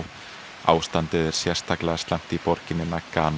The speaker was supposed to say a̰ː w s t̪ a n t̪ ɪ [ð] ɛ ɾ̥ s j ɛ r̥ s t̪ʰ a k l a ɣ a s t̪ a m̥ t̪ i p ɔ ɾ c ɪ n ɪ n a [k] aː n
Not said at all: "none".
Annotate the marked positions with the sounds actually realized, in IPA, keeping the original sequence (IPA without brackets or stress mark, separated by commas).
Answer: ð, k